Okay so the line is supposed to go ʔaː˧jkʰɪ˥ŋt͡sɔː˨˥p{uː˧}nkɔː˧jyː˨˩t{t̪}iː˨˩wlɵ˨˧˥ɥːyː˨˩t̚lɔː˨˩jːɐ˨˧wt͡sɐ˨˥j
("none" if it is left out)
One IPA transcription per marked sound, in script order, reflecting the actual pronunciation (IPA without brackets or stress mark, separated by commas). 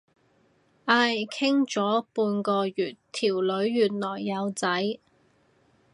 uː˧, t̪ʰ